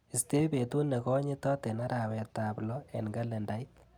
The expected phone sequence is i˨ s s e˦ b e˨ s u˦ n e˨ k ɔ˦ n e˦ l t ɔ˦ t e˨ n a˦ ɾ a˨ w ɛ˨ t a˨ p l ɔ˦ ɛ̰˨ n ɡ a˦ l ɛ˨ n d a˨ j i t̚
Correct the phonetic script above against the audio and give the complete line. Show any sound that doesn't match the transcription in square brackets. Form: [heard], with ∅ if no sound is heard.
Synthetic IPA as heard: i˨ s [t] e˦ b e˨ [t] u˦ n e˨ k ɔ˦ [ɲ] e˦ [∅] t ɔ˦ t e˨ n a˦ ɾ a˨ w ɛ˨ t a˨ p l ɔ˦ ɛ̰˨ n ɡ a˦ l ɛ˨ n d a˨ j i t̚